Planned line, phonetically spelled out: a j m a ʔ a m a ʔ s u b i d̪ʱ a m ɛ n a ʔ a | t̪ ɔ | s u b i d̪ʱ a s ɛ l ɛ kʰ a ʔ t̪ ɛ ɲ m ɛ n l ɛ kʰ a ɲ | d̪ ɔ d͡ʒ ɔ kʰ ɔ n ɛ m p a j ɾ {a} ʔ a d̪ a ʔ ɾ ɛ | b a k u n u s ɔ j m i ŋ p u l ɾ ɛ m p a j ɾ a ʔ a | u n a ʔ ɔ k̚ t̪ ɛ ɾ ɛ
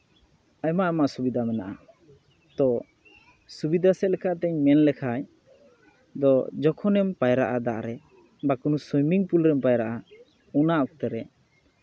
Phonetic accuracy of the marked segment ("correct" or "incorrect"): correct